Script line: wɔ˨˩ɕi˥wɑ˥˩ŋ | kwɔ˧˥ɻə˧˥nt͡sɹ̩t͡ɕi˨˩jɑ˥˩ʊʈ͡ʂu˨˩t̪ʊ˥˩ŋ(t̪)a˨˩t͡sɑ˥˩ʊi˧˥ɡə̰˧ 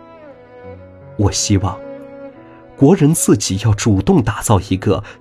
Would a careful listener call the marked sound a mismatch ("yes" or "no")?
no